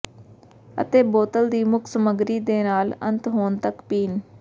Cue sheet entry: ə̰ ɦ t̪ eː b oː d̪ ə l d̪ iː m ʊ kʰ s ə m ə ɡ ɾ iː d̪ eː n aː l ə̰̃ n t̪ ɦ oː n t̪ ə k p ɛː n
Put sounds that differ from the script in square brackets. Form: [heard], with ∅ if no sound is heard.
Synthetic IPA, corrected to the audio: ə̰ [∅] t̪ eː b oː [t̪] ə l d̪ iː m ʊ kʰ s ə m ə ɡ ɾ iː d̪ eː n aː l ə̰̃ n t̪ ɦ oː n t̪ ə k p [iː] n